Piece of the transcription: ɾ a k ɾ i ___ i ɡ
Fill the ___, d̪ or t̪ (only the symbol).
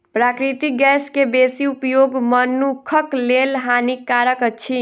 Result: t̪